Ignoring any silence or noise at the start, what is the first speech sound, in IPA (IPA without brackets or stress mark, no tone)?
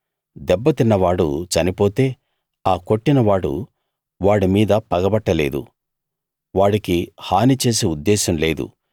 d̪